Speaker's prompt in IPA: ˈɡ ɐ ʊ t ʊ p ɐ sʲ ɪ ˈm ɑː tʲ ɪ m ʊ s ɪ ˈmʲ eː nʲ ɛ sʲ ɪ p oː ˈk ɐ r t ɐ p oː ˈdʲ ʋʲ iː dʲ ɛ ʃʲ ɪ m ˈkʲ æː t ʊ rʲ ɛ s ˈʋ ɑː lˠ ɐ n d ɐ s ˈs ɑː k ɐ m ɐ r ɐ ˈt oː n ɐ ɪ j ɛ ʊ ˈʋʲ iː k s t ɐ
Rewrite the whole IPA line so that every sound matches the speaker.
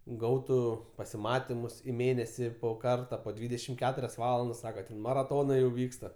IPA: ˈɡ ɐ ʊ t ʊ p ɐ sʲ ɪ ˈm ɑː tʲ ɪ m ʊ s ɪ ˈmʲ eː nʲ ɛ sʲ ɪ p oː ˈk ɐ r t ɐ p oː ˈdʲ ʋʲ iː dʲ ɛ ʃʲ ɪ m ˈkʲ æː t ʊ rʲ ɛ s ˈʋ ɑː lˠ ɐ n d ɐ s ˈs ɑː k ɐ m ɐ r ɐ ˈt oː n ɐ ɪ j ɛ ʊ ˈʋʲ iː k s t ɐ